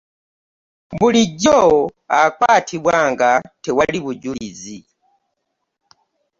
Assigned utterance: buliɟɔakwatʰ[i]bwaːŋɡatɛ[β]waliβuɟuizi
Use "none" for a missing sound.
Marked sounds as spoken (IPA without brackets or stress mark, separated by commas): i, none